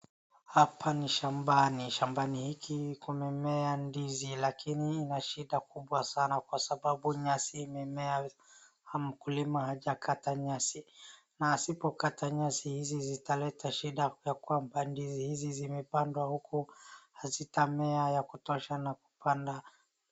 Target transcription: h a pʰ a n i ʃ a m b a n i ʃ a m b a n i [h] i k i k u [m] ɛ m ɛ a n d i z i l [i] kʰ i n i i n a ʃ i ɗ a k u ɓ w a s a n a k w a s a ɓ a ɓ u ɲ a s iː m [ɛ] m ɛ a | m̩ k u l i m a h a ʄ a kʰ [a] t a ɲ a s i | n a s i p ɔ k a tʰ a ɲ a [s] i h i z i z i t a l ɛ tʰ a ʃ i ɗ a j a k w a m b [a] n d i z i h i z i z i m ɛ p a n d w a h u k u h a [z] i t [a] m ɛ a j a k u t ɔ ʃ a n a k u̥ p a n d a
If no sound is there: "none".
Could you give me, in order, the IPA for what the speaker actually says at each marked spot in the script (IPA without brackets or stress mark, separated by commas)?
h, m, a, ɛ, a, s, a, z, a